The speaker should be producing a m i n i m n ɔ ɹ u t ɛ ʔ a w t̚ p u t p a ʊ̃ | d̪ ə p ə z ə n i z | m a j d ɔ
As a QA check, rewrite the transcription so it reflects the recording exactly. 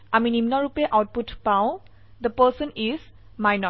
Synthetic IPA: a m i n i m n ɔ ɹ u p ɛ ʔ a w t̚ p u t p a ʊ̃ | d̪ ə p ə s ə n i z | m a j n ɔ